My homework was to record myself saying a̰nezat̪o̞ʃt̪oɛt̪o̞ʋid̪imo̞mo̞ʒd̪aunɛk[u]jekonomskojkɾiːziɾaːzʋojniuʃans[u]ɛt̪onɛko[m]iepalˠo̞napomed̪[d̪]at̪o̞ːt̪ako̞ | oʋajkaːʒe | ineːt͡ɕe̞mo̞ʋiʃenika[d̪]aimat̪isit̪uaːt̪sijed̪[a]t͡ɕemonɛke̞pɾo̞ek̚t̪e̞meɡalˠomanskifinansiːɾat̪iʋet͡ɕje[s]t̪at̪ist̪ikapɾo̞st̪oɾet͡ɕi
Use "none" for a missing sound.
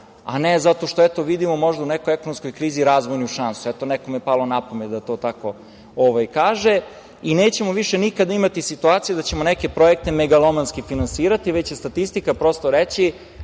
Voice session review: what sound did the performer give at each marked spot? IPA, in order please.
o, u, m, d̪, d̪, a, s

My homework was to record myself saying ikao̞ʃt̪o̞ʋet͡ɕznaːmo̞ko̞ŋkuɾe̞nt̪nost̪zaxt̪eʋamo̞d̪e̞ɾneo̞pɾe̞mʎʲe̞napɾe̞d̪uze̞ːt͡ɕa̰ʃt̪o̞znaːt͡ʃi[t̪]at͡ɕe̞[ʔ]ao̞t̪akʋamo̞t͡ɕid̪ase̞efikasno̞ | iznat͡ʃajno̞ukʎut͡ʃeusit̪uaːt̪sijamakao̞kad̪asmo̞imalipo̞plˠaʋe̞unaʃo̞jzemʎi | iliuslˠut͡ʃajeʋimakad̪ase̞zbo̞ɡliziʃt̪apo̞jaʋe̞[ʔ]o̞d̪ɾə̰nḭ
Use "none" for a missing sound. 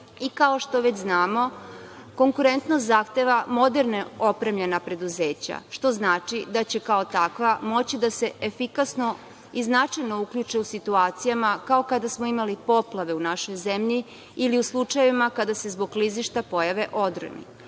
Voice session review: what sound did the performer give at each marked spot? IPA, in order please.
d̪, k, ʔ

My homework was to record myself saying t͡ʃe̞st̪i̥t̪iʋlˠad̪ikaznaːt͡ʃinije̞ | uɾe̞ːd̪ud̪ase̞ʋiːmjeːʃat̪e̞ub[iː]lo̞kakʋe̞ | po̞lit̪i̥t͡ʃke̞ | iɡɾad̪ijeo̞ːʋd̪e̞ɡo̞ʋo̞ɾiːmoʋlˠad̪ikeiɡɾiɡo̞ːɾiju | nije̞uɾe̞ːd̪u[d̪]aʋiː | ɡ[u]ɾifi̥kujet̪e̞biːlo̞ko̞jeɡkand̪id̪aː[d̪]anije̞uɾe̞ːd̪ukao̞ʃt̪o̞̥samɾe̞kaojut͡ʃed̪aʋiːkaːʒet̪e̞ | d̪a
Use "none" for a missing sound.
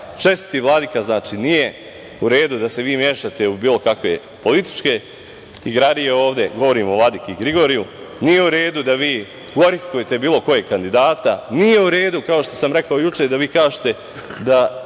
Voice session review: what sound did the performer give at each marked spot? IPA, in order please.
iː, d̪, o, t̪

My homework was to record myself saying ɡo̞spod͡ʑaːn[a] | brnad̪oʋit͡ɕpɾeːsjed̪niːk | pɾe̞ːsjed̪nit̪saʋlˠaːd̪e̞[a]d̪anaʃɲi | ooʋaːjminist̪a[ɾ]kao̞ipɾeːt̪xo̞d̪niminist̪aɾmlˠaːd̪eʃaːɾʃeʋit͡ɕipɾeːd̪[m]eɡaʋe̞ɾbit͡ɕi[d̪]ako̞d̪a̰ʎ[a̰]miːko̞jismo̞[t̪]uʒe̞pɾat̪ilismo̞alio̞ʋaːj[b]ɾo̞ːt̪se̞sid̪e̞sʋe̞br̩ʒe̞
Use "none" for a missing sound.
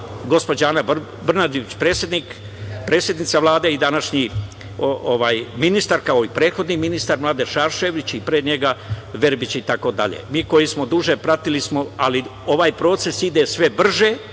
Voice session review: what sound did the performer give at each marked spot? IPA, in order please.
a, i, ɾ, ɲ, t̪, ḛ, d̪, p

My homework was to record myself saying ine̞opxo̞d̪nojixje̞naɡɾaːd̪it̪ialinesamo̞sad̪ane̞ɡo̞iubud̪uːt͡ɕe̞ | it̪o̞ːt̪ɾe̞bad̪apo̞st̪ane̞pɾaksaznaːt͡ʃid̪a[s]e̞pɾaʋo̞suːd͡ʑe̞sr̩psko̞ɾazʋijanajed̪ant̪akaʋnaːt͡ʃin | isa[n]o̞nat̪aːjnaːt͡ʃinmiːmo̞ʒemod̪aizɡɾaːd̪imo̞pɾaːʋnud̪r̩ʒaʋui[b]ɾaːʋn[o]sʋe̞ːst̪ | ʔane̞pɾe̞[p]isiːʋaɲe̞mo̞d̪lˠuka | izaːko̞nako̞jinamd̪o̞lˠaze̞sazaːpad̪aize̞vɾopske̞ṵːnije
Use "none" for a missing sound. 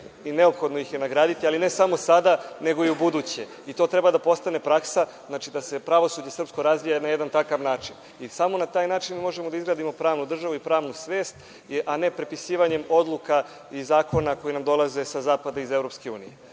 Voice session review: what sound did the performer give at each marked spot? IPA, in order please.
s, m, p, u, p

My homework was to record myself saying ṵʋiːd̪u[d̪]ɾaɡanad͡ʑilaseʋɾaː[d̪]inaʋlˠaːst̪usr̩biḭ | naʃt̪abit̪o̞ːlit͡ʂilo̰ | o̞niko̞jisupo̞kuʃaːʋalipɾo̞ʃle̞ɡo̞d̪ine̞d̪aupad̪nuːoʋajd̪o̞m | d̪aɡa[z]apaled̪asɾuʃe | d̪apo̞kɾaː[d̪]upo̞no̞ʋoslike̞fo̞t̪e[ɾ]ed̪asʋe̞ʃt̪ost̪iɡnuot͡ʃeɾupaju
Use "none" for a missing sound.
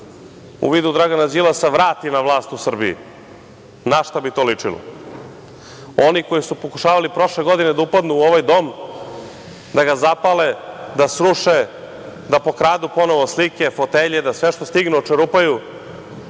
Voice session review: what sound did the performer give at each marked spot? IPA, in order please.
d̪, t̪, z, d̪, ʎ

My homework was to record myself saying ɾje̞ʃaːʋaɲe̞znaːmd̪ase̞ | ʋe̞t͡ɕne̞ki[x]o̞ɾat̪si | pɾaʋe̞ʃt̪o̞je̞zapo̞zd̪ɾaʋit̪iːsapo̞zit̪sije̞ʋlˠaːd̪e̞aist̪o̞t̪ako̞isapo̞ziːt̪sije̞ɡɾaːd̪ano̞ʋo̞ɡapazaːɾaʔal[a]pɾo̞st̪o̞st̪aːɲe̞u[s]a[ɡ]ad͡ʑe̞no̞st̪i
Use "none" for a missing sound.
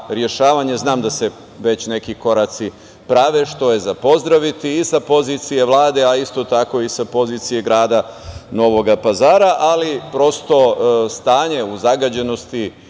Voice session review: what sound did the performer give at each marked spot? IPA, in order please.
k, i, z, ɡ

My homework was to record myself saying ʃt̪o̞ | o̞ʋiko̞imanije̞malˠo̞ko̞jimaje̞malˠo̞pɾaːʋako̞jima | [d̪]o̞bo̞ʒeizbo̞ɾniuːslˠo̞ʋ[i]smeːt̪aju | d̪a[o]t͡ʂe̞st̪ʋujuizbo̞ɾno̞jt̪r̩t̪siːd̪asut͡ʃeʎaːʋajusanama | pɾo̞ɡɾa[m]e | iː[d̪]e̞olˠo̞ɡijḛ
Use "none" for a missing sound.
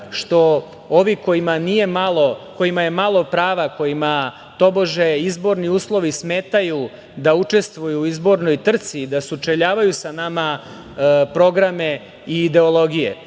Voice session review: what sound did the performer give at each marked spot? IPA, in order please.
t̪, i, u, m, d̪

